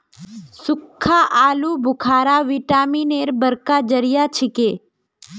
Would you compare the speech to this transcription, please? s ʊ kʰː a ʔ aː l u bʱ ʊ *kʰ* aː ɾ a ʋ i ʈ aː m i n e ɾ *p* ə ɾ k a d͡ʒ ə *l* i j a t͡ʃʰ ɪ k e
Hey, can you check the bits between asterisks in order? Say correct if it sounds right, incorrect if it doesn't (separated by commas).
correct, incorrect, incorrect